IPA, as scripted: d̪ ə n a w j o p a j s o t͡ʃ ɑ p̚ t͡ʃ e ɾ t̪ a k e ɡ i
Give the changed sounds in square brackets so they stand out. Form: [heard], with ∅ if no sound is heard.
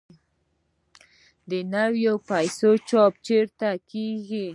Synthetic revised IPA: d̪ ə n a w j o p a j s o t͡ʃ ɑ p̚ t͡ʃ e ɾ t̪ a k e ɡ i